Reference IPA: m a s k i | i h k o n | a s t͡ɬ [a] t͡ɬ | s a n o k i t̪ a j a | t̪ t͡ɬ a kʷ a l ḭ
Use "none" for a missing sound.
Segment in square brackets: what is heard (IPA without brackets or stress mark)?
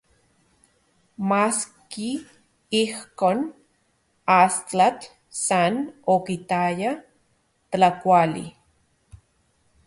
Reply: a